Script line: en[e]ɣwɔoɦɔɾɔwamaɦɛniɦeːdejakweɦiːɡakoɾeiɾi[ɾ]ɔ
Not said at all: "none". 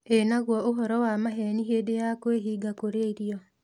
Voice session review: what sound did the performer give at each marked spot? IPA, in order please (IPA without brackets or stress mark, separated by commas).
a, none